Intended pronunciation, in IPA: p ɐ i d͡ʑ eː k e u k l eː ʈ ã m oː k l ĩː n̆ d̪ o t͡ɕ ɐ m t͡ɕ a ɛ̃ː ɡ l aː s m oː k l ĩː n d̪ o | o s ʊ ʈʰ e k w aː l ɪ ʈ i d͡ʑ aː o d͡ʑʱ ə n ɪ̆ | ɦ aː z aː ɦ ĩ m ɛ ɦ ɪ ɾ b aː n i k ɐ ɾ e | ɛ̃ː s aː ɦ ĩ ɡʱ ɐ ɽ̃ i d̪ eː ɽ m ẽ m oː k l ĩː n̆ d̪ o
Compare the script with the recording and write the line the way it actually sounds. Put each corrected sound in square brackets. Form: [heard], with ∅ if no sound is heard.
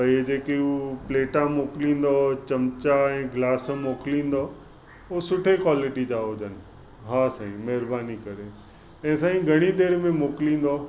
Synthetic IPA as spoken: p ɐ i d͡ʑ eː k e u [p] l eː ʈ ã m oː k l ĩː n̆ d̪ o t͡ɕ ɐ m t͡ɕ a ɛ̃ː ɡ l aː s m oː k l ĩː n d̪ o | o s ʊ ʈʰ e k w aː l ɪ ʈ i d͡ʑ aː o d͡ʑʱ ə n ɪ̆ | ɦ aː [s] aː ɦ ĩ m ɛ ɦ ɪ ɾ b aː n i k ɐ ɾ e | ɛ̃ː s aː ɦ ĩ ɡʱ ɐ ɽ̃ i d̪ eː ɽ m ẽ m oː k l ĩː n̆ d̪ o